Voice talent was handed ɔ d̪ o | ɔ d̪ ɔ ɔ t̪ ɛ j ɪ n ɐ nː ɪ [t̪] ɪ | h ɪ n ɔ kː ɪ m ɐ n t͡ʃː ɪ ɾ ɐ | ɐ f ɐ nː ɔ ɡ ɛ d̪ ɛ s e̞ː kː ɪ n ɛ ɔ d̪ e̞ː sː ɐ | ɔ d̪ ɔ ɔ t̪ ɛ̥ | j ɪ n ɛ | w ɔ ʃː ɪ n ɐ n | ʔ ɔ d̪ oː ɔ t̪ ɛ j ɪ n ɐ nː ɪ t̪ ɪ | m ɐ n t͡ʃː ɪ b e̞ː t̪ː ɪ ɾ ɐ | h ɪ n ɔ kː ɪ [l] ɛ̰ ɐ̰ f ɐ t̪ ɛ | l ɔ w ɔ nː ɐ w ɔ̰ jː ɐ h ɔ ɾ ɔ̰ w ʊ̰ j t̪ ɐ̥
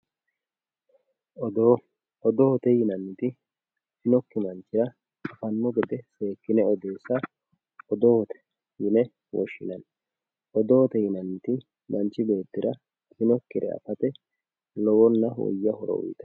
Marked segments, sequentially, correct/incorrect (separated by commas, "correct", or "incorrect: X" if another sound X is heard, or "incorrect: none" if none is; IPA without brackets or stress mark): correct, incorrect: ɾ